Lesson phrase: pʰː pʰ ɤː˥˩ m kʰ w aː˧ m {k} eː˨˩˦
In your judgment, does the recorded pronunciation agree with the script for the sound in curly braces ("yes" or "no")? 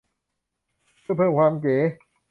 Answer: yes